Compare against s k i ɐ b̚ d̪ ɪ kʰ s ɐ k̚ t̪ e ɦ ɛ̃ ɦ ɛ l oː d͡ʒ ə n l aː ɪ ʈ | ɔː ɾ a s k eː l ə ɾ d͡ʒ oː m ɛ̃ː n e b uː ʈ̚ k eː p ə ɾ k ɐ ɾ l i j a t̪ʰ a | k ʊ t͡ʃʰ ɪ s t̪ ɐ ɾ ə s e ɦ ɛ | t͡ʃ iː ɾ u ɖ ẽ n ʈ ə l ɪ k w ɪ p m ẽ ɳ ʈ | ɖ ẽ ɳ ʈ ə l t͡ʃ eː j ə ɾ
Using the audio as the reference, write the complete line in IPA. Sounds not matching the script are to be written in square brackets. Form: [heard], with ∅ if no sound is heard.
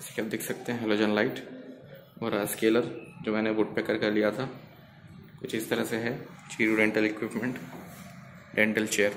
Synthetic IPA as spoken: s k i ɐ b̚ d̪ ɪ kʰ s ɐ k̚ t̪ e ɦ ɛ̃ ɦ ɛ l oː d͡ʒ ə n l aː ɪ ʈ | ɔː ɾ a s k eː l ə ɾ d͡ʒ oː m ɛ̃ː n e b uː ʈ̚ [p] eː [k] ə ɾ k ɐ ɾ l i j a t̪ʰ a | k ʊ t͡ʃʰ ɪ s t̪ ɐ ɾ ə s e ɦ ɛ | t͡ʃ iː ɾ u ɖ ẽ [ɳ] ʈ ə l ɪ k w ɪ p m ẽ ɳ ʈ | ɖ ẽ ɳ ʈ ə l t͡ʃ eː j ə ɾ